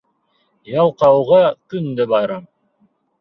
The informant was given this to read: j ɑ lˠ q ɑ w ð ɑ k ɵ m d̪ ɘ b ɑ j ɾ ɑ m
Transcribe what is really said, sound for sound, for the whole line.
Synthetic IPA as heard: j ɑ lˠ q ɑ w ʁ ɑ k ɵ n d̪ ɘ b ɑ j ɾ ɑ m